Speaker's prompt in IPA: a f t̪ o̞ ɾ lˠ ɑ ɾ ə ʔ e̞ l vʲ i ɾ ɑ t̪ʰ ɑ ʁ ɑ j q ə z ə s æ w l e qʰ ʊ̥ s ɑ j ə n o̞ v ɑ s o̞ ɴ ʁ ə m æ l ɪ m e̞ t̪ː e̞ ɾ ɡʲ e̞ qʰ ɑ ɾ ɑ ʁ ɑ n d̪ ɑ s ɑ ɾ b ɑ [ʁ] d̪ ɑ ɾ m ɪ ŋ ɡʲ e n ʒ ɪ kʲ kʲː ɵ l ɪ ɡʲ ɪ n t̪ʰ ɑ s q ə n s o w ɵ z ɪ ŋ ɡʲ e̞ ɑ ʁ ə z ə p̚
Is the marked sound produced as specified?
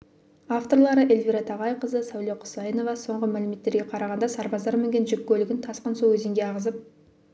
no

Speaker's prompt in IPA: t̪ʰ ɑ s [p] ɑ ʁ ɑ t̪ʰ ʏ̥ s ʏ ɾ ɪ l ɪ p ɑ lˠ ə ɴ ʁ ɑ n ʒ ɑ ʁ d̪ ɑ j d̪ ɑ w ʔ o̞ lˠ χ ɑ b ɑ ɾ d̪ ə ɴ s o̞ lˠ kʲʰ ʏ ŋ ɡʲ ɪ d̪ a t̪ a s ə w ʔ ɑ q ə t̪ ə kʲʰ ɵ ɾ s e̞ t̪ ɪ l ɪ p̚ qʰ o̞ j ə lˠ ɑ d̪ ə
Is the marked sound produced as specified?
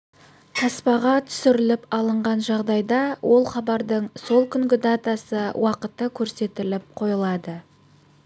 yes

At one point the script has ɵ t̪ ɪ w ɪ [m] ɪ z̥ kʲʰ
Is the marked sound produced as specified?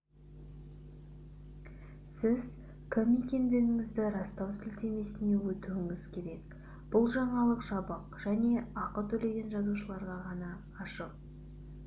no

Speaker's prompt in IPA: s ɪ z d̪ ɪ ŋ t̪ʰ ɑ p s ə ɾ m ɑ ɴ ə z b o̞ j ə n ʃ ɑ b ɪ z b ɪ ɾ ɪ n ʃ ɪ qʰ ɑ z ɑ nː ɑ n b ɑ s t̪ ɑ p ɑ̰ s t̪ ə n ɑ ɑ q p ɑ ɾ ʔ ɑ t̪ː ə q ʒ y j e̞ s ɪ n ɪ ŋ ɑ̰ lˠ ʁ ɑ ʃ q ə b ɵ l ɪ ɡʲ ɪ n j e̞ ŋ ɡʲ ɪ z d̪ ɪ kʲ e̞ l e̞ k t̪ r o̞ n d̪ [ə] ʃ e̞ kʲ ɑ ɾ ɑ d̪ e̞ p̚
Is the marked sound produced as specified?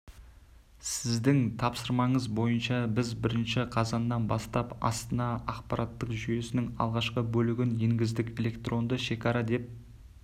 yes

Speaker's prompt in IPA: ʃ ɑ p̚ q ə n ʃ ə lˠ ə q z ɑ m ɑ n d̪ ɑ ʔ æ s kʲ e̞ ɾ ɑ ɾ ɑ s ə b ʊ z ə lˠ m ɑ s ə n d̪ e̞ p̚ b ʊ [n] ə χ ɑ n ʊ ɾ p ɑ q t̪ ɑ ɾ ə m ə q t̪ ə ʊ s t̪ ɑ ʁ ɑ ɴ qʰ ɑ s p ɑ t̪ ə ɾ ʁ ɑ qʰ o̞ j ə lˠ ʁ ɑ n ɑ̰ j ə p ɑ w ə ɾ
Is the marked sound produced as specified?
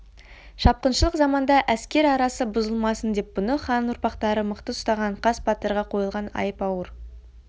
yes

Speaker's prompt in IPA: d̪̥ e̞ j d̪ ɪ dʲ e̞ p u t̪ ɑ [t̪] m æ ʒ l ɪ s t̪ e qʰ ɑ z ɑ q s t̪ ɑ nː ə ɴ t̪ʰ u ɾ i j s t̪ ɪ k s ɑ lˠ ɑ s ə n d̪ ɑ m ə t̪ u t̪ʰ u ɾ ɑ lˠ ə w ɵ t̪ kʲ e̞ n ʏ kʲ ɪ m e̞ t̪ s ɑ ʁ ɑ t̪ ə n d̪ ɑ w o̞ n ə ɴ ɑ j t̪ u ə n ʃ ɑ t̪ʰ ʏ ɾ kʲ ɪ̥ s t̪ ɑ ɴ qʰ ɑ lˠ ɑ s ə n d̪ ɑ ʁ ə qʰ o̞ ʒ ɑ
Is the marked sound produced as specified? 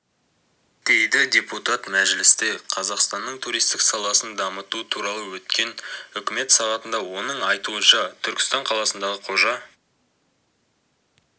yes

